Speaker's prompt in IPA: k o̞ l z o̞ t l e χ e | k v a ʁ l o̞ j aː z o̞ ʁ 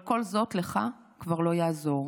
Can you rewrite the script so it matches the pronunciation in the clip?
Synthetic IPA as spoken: k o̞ l z o̞ t l e χ a | k v a ʁ l o̞ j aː z o̞ ʁ